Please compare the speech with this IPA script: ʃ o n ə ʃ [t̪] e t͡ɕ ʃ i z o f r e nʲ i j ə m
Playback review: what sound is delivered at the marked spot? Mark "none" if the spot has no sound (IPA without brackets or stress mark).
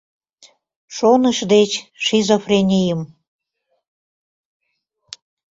d̪